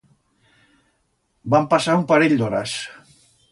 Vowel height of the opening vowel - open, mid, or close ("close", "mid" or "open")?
open